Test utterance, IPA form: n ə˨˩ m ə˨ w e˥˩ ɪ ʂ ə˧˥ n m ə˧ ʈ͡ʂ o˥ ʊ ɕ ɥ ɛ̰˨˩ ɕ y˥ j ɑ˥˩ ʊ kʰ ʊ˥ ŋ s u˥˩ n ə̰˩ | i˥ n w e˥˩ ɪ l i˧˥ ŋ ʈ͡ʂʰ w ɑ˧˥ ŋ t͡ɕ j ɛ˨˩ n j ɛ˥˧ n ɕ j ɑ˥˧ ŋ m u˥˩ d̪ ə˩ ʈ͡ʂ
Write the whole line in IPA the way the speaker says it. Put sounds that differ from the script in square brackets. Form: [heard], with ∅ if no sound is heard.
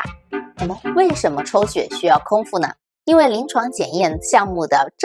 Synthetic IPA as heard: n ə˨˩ m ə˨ w e˥˩ ɪ ʂ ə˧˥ n m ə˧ [ʈ͡ʂʰ] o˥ ʊ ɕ ɥ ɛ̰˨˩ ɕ y˥ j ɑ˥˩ ʊ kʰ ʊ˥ ŋ [f] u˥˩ n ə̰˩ | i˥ n w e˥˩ ɪ l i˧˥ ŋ ʈ͡ʂʰ w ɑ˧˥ ŋ t͡ɕ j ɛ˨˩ n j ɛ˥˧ n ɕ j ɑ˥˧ ŋ m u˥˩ d̪ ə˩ ʈ͡ʂ